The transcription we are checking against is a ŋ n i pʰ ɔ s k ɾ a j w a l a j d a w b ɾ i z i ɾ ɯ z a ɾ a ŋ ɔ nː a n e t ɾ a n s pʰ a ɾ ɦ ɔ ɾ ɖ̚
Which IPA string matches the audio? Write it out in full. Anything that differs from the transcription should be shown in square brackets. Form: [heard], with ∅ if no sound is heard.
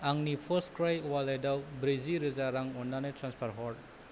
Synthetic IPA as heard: a ŋ n i pʰ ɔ s k ɾ a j w a l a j d a w b ɾ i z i ɾ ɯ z a ɾ a ŋ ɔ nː a n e t ɾ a n s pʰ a ɾ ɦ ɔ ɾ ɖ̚